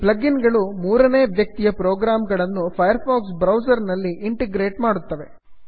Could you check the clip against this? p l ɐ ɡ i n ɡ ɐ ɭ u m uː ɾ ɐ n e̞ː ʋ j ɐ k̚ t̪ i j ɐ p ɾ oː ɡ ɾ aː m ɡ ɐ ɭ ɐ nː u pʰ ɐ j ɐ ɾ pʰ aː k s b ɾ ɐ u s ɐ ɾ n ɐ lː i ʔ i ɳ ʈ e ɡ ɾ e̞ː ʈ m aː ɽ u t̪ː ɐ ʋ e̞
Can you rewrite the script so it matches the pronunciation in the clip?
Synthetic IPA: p l ɐ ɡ i n ɡ ɐ ɭ u m uː ɾ ɐ n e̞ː ʋ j ɐ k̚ t̪ i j ɐ p ɾ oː ɡ ɾ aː m ɡ ɐ ɭ ɐ nː u pʰ ɐ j ɐ ɾ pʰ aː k s b ɾ ɐ w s ɐ ɾ n ɐ lː i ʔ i ɳ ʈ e ɡ ɾ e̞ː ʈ m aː ɽ u t̪ː ɐ ʋ e̞

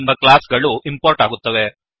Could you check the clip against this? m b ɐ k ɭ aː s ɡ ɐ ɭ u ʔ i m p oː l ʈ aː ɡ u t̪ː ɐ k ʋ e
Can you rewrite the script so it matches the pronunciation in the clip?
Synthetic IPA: m b ɐ k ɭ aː s ɡ ɐ ɭ u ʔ i m p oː ɾ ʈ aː ɡ u t̪ː ɐ ʋ e

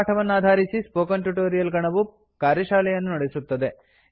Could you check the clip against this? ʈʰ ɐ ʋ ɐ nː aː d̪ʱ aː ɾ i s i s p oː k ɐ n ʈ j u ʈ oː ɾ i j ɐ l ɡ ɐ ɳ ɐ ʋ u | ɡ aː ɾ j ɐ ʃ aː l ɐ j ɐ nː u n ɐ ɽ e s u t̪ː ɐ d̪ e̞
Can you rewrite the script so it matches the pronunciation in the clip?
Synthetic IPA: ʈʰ ɐ ʋ ɐ nː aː d̪ʱ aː ɾ i s i s p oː k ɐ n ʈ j u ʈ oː ɾ i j ɐ l ɡ ɐ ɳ ɐ ʋ u | k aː ɾ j ɐ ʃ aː l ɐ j ɐ nː u n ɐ ɽ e s u t̪ː ɐ d̪ e̞

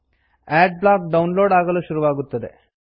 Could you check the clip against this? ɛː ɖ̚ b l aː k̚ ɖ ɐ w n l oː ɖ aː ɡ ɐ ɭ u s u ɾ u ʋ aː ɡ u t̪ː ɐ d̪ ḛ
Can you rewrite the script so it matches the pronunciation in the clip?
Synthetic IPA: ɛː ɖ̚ b l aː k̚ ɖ ɐ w n l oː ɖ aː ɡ ɐ l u ʃ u ɾ u ʋ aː ɡ u t̪ː ɐ d̪ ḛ

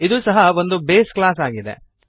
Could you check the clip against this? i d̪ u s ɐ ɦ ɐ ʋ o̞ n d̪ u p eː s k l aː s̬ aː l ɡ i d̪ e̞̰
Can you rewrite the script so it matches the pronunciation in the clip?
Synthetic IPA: i d̪ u s ɐ ɦ ɐ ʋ o̞ n d̪ u b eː s k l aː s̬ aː ɡ i d̪ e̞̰

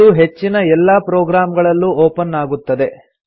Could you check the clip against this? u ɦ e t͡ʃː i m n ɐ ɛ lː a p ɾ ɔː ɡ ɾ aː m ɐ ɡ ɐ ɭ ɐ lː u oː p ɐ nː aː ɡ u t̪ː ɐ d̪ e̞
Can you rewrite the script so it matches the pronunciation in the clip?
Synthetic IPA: u ɦ e t͡ʃː i n ɐ ɛ lː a p ɾ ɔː ɡ ɾ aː m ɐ ɡ ɐ ɭ ɐ lː u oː p ɐ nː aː ɡ u t̪ː ɐ d̪ e̞

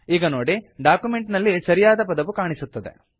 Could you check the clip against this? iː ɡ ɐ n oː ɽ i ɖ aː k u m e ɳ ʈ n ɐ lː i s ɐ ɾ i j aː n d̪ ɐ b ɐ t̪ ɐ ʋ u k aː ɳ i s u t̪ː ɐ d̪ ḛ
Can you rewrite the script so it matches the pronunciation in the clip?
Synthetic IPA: iː ɡ ɐ n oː ɽ i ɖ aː k u m e ɳ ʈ n ɐ lː i s ɐ ɾ i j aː d̪ ɐ p ɐ d̪ ɐ ʋ u k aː ɳ i s u t̪ː ɐ d̪ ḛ

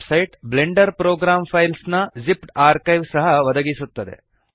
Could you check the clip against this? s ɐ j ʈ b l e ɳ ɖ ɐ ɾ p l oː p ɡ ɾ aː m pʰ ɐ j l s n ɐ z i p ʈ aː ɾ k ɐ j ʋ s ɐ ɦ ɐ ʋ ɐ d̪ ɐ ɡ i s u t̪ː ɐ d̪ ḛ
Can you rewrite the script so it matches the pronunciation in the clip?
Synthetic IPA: s ɐ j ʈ b l e ɳ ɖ ɐ ɾ p ɾ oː ɡ ɾ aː m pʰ ɐ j l s n ɐ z i p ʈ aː ɾ k ɐ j ʋ s ɐ ɦ ɐ ʋ ɐ d̪ ɐ ɡ i s u t̪ː ɐ d̪ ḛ

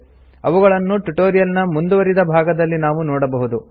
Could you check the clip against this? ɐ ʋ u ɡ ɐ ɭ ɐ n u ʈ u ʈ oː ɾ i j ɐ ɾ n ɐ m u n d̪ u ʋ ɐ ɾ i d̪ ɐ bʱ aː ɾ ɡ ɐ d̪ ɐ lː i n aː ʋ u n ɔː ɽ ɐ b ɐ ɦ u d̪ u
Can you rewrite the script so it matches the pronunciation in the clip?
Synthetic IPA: ɐ ʋ u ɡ ɐ ɭ ɐ nː u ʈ u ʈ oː ɾ i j ɐ l n ɐ m u n d̪ u ʋ ɐ ɾ i d̪ ɐ bʱ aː ɡ ɐ d̪ ɐ lː i n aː ʋ u n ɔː ɽ ɐ b ɐ ɦ u d̪ u

